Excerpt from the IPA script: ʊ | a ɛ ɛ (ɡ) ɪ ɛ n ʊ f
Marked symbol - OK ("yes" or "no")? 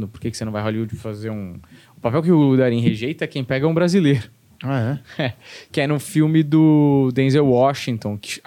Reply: no